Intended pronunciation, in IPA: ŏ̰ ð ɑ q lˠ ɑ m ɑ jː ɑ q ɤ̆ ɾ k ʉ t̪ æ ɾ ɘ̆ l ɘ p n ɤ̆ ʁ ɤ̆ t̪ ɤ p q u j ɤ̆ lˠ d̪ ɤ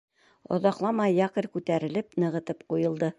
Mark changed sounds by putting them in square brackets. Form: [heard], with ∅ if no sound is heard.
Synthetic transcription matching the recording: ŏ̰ ð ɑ q lˠ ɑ m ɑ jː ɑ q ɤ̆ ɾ k ʉ t̪ æ ɾ ɘ̆ l ɘ p n ɤ̆ ʁ ɤ̆ t̪ ɤ p q u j ɤ̆ lˠ d̪ ɤ